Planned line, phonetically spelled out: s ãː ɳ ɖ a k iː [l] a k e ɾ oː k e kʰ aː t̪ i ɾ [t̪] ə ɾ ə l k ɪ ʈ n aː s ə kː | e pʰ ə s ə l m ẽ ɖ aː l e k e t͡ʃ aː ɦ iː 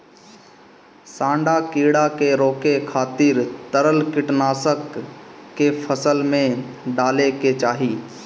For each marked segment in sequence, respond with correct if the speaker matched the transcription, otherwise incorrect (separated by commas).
incorrect, correct